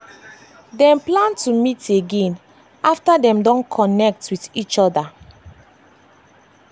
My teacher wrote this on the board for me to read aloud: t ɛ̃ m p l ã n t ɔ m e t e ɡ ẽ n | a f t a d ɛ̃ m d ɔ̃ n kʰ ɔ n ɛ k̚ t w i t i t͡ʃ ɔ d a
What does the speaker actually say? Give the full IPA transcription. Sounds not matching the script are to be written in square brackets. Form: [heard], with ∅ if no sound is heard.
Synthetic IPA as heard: [d] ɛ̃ m p l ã n t [u] m [i] t e ɡ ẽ n | a f t a d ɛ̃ m d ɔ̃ n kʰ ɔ n ɛ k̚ t w i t i t͡ʃ ɔ d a